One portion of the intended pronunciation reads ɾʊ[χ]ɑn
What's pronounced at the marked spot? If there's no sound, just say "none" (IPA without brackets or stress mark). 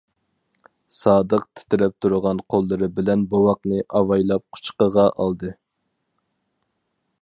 ʁ